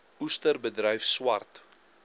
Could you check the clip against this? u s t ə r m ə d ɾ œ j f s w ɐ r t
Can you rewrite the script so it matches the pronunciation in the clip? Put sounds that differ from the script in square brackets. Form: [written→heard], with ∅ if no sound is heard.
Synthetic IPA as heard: u s t ə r [m→b] ə d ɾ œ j f s w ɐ r t